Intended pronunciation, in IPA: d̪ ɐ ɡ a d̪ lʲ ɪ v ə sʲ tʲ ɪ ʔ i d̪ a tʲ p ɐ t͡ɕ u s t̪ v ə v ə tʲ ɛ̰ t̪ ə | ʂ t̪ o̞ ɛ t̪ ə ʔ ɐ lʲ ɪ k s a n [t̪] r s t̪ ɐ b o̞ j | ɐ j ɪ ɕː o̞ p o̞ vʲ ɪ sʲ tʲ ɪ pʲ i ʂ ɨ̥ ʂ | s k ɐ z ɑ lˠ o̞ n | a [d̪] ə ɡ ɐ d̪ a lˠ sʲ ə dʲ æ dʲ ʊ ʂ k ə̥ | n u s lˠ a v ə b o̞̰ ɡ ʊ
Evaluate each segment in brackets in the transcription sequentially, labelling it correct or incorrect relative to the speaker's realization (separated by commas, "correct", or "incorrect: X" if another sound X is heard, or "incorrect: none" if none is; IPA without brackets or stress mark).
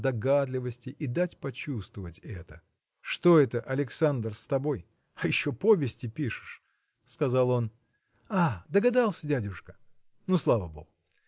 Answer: incorrect: d̪, correct